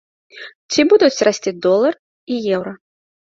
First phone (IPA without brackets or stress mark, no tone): t͡sʲ